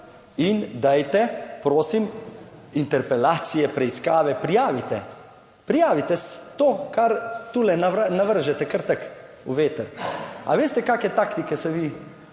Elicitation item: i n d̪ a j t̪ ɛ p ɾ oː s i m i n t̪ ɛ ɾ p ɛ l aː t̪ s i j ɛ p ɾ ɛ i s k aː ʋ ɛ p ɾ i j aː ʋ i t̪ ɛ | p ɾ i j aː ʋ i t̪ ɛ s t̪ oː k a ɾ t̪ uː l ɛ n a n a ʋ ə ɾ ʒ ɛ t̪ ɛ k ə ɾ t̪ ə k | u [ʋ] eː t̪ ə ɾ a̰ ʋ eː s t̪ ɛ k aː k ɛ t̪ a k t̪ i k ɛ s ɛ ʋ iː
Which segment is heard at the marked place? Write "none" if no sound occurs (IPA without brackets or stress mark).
ʋ